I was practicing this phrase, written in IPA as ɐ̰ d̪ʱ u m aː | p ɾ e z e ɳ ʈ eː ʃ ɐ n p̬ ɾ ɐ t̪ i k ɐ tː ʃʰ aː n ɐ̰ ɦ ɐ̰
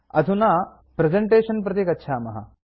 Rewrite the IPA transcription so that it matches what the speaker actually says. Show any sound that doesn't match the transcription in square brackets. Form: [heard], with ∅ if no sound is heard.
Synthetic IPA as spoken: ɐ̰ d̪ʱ u [n] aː | p ɾ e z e ɳ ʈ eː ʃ ɐ n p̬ ɾ ɐ t̪ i k ɐ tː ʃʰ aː [m] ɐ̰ ɦ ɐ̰

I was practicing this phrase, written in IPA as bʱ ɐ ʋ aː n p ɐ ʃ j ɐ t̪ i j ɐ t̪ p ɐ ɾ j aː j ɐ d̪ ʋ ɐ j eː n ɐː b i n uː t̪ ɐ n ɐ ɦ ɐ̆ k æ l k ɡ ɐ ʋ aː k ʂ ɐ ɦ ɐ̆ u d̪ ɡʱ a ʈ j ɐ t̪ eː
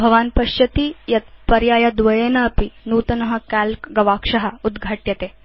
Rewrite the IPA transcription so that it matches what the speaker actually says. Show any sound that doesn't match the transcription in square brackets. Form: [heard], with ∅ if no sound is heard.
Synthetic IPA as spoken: bʱ ɐ ʋ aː n p ɐ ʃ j ɐ t̪ i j ɐ t̪ p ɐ ɾ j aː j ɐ d̪ ʋ ɐ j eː n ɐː [p] i n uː t̪ ɐ n ɐ ɦ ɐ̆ k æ l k ɡ ɐ ʋ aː k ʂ ɐ ɦ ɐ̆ u d̪ ɡʱ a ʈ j ɐ t̪ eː

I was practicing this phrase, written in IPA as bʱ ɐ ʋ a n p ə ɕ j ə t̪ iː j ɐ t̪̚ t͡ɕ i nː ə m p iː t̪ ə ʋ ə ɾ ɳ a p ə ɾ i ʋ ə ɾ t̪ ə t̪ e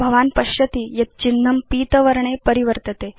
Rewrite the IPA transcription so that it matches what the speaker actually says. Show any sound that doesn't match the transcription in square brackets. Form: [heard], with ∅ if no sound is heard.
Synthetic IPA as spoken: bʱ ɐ ʋ a n p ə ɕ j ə t̪ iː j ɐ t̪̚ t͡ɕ i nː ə m p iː t̪ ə ʋ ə ɾ ɳ [e] p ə ɾ i ʋ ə ɾ t̪ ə t̪ e

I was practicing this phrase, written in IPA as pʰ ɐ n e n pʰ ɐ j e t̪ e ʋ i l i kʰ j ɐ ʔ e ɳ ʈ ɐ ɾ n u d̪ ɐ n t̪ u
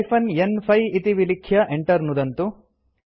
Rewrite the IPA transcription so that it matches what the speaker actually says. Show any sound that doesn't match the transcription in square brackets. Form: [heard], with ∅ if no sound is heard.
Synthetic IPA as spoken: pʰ ɐ n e n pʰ ɐ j [i] t̪ [i] ʋ i l i kʰ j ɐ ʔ e ɳ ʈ ɐ ɾ n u d̪ ɐ n t̪ u

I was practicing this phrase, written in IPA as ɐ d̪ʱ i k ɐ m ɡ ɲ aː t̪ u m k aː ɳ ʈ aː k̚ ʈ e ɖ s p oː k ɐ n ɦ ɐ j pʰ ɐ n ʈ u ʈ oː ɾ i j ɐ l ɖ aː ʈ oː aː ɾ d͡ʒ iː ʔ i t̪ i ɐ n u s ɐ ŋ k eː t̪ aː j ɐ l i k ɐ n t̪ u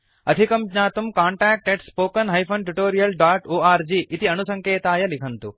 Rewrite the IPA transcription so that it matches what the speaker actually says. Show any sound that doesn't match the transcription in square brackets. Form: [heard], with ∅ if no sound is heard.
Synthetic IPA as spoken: ɐ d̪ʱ i k ɐ m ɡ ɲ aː t̪ u m k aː ɳ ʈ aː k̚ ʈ e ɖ s p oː k ɐ n ɦ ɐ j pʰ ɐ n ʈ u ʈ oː ɾ i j ɐ l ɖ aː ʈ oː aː ɾ d͡ʒ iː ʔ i t̪ i ɐ n u s ɐ ŋ k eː t̪ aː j ɐ l i [kʰ] ɐ n t̪ u

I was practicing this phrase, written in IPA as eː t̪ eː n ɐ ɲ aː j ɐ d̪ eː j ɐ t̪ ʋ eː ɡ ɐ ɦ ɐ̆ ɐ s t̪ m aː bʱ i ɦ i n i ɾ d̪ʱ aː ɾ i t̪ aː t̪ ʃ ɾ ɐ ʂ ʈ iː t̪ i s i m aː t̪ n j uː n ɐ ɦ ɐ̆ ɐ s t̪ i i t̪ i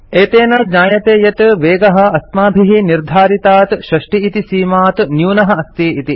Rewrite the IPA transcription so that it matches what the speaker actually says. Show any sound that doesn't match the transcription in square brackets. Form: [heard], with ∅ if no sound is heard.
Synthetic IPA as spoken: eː t̪ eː n ɐ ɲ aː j ɐ [t̪] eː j ɐ t̪ ʋ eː ɡ ɐ ɦ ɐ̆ ɐ s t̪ m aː bʱ i ɦ i n i ɾ d̪ʱ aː ɾ i t̪ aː t̪ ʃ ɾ ɐ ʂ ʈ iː t̪ i s [iː] m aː t̪ n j uː n ɐ ɦ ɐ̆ ɐ s t̪ i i t̪ i

